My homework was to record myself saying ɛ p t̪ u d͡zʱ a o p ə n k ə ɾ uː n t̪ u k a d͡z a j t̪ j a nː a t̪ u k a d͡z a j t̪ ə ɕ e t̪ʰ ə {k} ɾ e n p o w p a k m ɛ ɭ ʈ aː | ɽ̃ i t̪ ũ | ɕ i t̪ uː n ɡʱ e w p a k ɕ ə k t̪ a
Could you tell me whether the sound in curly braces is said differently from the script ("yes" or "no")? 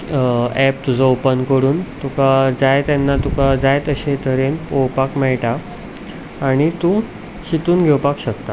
yes